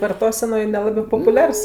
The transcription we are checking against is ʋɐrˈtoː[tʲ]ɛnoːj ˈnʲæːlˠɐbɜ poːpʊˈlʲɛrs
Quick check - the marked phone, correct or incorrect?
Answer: incorrect